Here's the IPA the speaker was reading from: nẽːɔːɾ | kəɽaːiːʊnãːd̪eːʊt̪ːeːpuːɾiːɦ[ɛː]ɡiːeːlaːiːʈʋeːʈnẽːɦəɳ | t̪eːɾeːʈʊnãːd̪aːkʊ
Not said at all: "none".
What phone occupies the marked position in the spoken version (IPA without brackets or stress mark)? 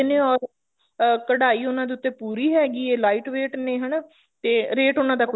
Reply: ɛː